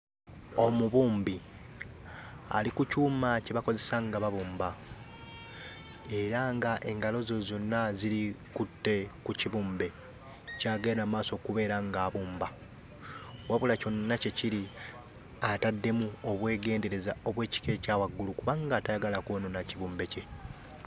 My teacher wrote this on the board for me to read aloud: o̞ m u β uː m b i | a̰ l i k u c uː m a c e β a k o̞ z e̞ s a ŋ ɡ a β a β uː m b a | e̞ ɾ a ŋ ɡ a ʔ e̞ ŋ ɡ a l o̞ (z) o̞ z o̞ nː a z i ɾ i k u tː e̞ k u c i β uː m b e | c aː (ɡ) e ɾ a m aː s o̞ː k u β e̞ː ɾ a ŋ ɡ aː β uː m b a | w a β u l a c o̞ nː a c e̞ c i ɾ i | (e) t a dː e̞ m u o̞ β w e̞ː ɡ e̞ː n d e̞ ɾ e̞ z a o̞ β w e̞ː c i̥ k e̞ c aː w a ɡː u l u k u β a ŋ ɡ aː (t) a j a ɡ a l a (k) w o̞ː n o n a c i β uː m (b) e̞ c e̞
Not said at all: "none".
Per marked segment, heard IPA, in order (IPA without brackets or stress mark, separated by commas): z, ɡ, a, t, k, b